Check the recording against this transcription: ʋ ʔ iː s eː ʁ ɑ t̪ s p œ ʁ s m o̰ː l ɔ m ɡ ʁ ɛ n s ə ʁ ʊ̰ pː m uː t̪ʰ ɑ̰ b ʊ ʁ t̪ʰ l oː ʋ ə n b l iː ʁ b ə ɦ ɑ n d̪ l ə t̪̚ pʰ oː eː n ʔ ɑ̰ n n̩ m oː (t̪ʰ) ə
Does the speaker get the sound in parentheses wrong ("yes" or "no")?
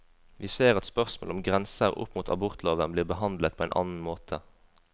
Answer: no